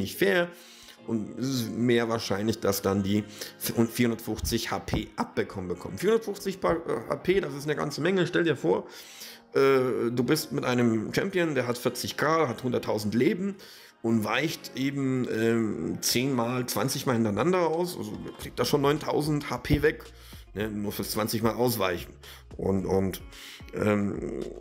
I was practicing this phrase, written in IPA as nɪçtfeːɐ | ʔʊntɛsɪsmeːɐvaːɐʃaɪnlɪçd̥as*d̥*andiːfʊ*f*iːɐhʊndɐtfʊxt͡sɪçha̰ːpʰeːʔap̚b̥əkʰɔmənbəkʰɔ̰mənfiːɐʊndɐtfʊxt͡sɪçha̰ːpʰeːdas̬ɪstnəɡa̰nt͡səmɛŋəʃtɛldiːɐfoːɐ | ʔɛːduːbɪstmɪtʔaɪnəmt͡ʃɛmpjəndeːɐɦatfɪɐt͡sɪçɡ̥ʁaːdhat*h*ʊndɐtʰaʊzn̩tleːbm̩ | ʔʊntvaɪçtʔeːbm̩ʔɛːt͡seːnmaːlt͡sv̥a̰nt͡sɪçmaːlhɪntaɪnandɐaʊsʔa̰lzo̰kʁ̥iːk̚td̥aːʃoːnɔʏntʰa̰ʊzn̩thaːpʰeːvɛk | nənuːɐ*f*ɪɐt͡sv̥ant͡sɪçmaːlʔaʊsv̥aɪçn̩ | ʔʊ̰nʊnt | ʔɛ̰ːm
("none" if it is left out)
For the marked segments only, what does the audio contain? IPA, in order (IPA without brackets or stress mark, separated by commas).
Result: d̥, f, h, f